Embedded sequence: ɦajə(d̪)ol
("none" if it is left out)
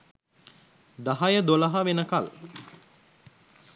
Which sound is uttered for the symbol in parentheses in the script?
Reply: d̪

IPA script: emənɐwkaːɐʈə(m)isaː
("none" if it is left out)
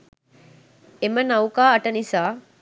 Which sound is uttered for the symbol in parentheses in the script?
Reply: n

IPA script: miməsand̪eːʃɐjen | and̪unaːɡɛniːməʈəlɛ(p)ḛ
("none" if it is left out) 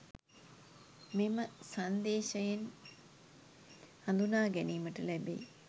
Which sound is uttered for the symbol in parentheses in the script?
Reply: b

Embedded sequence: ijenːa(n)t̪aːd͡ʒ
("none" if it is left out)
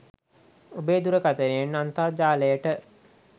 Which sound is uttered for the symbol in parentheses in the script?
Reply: n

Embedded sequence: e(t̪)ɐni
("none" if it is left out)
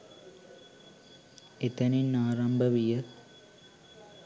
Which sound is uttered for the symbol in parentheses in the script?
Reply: t̪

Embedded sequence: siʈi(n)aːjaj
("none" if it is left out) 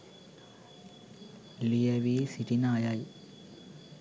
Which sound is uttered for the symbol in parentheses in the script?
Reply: n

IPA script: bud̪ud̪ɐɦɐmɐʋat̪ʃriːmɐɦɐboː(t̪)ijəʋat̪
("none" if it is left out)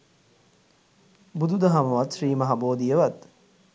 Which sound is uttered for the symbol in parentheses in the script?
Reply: d̪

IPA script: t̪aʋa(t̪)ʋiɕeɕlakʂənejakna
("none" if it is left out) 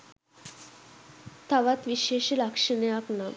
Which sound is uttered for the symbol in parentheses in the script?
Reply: t̪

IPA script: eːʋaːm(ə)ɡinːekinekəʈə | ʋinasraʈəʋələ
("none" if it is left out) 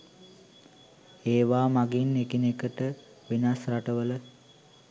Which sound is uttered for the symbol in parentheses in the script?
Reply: a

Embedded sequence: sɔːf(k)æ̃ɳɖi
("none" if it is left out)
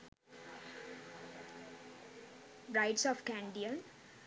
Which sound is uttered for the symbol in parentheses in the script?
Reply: k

